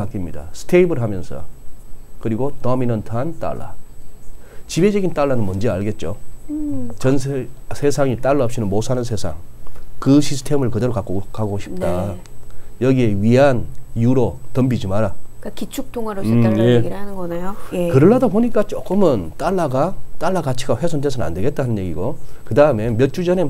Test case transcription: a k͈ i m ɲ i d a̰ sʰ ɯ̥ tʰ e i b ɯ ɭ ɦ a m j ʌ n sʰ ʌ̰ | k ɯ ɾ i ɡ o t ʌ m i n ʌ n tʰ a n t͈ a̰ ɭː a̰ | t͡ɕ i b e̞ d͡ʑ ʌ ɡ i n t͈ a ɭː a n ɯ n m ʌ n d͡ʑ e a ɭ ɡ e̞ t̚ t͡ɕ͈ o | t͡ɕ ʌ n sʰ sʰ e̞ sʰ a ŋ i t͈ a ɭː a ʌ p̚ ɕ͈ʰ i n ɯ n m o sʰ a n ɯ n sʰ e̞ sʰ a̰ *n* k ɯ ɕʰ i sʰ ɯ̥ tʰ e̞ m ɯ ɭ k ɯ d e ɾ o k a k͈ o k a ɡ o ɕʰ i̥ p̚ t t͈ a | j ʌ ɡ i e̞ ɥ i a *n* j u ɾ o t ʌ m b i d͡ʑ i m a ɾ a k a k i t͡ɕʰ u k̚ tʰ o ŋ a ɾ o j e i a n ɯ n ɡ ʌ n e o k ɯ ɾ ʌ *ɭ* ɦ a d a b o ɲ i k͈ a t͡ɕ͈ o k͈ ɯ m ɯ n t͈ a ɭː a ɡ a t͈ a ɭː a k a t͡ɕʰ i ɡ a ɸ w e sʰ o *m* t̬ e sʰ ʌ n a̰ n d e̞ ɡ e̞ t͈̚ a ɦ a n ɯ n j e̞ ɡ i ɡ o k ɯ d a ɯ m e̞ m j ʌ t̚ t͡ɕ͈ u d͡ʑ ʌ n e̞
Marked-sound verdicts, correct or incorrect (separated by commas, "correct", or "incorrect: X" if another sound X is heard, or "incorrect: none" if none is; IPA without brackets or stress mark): incorrect: ŋ, correct, correct, incorrect: n